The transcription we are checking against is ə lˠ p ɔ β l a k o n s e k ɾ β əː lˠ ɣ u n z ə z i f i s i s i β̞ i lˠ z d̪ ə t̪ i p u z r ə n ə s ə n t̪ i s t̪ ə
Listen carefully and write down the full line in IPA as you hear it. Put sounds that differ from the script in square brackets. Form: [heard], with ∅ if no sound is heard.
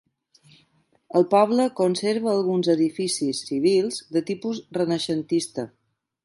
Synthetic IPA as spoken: ə lˠ p ɔ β l [ə] k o n s e [∅] ɾ β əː lˠ ɣ u n z ə [ð] i f i s i s i β̞ i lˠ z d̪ ə t̪ i p u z r ə n ə [ʃ] ə n t̪ i s t̪ ə